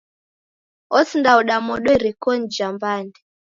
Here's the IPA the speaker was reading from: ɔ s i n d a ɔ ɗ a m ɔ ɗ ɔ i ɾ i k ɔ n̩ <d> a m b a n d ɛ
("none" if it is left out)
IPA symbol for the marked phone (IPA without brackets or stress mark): d͡ʒ